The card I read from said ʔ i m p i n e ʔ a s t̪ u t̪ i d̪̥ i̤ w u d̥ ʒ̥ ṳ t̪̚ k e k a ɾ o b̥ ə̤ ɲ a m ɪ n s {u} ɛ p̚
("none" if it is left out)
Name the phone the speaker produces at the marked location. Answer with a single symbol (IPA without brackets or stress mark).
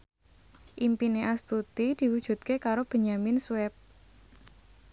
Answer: w